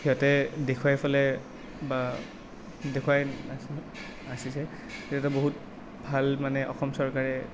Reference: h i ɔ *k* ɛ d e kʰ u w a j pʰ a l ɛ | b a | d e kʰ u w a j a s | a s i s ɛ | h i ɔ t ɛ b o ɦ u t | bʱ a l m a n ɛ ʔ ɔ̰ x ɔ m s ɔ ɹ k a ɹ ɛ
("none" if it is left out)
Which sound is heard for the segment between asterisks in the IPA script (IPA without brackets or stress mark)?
t